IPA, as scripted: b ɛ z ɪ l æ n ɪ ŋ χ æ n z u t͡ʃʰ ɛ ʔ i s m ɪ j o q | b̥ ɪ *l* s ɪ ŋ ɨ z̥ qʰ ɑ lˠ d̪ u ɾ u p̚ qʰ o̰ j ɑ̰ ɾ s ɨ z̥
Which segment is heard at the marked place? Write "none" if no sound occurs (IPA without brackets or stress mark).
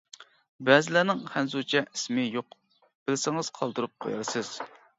l